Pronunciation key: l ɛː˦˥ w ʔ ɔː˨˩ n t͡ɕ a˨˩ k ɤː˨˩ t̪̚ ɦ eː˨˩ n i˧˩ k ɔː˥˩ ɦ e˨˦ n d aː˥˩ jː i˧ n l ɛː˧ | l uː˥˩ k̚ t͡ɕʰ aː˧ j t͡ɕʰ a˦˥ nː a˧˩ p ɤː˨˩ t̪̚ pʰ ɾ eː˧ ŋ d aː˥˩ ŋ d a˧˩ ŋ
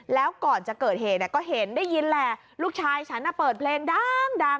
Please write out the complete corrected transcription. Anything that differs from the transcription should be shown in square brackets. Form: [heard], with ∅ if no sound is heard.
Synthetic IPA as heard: l ɛː˦˥ w [k] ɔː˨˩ n t͡ɕ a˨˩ k ɤː˨˩ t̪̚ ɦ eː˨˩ n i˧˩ k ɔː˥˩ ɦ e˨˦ n d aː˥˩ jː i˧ n l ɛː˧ | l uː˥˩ k̚ t͡ɕʰ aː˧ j t͡ɕʰ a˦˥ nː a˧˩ p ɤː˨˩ t̪̚ pʰ [l] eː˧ ŋ d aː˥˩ ŋ d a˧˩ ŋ